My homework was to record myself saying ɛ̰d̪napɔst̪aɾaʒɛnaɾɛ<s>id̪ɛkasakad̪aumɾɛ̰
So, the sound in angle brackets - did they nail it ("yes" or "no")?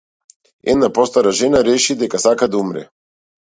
no